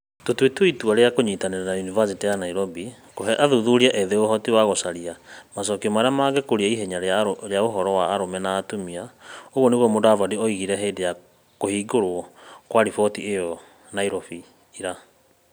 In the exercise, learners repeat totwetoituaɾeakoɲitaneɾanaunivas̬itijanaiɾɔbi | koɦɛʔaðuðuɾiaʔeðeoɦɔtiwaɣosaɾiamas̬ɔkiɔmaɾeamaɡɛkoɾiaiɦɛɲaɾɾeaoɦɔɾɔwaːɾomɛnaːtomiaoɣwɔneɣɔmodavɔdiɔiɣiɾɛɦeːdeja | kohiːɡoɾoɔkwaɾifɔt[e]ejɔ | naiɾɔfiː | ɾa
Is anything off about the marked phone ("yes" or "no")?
yes